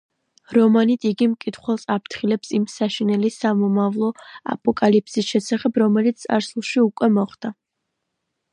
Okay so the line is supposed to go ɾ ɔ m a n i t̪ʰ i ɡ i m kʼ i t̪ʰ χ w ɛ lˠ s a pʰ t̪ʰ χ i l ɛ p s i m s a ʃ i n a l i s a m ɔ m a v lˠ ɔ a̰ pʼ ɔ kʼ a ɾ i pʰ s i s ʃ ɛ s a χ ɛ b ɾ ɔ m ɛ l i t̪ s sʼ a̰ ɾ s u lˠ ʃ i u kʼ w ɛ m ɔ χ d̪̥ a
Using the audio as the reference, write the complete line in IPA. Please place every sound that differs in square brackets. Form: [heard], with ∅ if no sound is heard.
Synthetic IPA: ɾ ɔ m a n i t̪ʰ i ɡ i m kʼ i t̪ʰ χ w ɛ lˠ s a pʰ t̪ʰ χ i l ɛ p s i m s a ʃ i n [ɛ] l i s a m ɔ m a v lˠ ɔ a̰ pʼ ɔ kʼ a [l] i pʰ s i s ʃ ɛ s a χ ɛ b ɾ ɔ m ɛ l i t̪ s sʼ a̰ ɾ s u lˠ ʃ i u kʼ w ɛ m ɔ χ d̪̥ a